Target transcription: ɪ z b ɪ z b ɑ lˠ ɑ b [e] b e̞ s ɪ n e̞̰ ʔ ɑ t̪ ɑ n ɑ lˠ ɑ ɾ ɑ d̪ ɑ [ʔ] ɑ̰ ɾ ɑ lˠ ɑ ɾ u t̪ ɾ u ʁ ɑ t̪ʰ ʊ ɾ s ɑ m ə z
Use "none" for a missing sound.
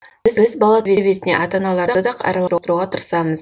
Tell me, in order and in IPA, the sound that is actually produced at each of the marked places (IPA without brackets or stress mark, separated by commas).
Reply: e, q